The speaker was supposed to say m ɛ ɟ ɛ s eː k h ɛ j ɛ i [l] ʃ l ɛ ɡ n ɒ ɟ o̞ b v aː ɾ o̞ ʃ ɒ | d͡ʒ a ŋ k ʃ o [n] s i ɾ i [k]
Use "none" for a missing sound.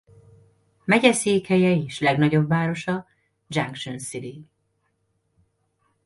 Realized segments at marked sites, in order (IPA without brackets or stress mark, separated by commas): none, n, none